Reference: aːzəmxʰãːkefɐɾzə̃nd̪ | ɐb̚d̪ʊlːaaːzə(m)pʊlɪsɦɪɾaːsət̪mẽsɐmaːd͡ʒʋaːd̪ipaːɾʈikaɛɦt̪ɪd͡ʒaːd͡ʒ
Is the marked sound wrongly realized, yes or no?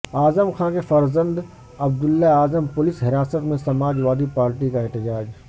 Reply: no